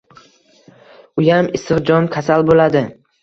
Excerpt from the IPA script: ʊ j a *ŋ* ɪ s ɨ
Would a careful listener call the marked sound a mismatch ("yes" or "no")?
yes